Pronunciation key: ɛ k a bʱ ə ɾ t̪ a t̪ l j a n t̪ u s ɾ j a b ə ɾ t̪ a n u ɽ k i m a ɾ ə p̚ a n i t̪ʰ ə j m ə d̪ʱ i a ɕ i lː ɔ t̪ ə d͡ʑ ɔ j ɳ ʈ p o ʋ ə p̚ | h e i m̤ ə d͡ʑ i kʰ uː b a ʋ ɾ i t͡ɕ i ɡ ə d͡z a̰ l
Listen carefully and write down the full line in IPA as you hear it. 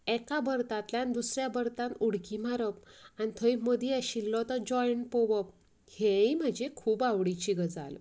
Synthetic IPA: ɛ k a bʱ ə ɾ t̪ a t̪ l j a n d̪ u s ɾ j a b ə ɾ t̪ a n u ɽ k i m a ɾ ə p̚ a n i t̪ʰ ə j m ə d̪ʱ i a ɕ i lː ɔ t̪ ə d͡ʑ ɔ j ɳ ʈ p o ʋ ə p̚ | h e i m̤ ə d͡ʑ e kʰ uː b a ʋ ɽ i t͡ɕ i ɡ ə d͡z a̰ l